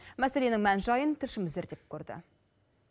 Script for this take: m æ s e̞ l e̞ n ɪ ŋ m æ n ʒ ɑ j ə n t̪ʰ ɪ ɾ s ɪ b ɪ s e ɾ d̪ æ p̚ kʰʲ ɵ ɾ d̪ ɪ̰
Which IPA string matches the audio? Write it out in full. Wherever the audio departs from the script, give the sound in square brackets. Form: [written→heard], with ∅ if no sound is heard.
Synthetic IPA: m æ s e̞ l e̞ n ɪ ŋ m æ n ʒ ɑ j ə n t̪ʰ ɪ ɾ [s→ʃ] ɪ [b→m] ɪ [s→z] e ɾ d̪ [æ→e] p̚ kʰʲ ɵ ɾ d̪ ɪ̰